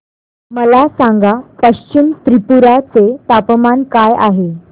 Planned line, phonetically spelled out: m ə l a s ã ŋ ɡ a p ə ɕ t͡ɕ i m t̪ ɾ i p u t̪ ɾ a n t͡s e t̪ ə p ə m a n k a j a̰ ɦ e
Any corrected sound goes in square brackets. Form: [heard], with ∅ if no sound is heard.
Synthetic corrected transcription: m ə l a s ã ŋ ɡ a p ə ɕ t͡ɕ i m t̪ ɾ i p u [∅] ɾ a [∅] t͡s e t̪ [a] p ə m a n k a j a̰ ɦ e